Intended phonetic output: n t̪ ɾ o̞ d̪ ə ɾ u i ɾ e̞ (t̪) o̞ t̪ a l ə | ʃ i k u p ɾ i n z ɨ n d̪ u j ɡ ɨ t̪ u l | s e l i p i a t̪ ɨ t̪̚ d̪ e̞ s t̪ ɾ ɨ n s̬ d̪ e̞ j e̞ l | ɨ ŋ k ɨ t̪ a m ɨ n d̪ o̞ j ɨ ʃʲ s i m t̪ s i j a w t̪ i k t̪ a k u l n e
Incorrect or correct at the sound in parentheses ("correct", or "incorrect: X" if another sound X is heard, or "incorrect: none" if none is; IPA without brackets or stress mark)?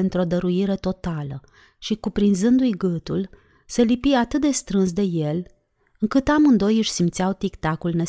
correct